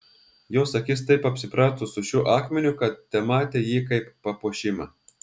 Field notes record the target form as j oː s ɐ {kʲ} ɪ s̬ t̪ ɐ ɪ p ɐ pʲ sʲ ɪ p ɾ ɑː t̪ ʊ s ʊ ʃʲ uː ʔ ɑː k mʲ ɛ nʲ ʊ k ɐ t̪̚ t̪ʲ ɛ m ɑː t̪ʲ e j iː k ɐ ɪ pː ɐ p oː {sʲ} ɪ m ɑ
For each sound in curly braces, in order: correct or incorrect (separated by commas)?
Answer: correct, incorrect